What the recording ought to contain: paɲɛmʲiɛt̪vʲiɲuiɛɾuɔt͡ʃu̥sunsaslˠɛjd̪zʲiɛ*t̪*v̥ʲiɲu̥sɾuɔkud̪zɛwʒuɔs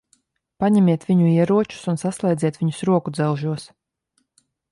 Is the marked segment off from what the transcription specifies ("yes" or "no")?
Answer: no